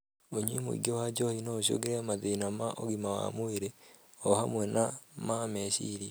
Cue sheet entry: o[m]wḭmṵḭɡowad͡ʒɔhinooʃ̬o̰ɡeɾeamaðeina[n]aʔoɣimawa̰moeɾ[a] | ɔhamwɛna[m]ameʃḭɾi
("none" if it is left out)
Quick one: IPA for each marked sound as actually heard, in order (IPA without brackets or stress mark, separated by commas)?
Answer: ɲ, m, e, m